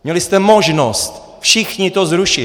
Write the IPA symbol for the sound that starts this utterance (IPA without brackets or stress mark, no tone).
m